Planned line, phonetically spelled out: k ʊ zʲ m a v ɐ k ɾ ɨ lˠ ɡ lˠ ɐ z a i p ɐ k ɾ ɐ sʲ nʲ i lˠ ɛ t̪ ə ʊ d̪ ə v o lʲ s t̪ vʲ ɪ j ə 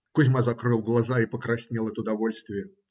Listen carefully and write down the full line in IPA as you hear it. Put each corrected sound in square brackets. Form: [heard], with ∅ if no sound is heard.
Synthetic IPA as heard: k ʊ zʲ m a [z] ɐ k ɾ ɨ lˠ ɡ lˠ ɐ z a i p [ə] k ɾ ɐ sʲ nʲ i lˠ ɛ t̪ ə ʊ d̪ [ɐ] v o lʲ s t̪ vʲ ɪ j ə